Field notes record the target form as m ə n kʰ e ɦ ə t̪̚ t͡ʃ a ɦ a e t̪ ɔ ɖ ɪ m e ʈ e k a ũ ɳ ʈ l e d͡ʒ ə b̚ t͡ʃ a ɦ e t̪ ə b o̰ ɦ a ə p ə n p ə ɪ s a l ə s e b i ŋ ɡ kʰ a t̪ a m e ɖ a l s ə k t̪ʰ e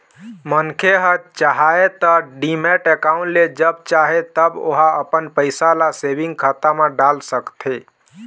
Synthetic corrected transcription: m ə n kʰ e ɦ ə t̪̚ t͡ʃ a ɦ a e t̪ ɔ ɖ i m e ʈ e k a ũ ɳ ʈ l e d͡ʒ ə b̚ t͡ʃ a ɦ e t̪ ə b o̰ ɦ a ə p ə n p ə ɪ s a l a s e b i ŋ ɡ kʰ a t̪ a m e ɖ a l s ə k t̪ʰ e